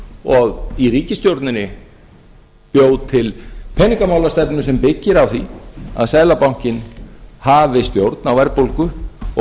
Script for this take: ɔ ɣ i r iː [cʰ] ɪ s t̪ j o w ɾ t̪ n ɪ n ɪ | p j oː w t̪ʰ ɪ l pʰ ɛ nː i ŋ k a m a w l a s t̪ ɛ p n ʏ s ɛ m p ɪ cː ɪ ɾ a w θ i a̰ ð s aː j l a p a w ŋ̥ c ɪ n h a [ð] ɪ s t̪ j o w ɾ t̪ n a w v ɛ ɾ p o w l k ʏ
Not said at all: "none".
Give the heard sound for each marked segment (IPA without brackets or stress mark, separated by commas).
c, v